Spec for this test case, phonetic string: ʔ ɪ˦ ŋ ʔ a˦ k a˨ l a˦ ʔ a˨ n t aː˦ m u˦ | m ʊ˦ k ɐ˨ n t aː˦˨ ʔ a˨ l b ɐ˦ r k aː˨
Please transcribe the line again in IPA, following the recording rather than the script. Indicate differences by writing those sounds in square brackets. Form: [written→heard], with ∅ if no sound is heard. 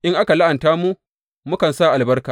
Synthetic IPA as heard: ʔ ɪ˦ ŋ ʔ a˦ k a˨ l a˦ ʔ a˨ n t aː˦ m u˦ | m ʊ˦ k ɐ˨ n [t→s] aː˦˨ ʔ a˨ l b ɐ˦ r k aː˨